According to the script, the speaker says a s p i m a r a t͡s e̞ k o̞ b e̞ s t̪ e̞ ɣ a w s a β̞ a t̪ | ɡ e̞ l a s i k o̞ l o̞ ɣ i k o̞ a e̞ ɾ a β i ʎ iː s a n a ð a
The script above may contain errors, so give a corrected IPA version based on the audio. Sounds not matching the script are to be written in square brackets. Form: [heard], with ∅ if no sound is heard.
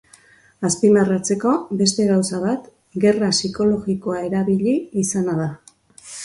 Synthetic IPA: a s p i m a r a t͡s e̞ k o̞ b e̞ s t̪ e̞ ɣ a w s a β̞ a t̪ | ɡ e̞ [r] a s i k o̞ l o̞ ɣ i k o̞ a e̞ ɾ a β i ʎ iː s a n a ð a